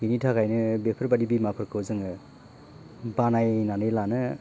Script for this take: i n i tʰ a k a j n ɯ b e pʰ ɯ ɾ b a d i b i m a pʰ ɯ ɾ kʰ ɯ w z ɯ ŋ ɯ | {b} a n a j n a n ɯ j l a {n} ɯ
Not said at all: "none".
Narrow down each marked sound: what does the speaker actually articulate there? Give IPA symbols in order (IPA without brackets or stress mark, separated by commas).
b, n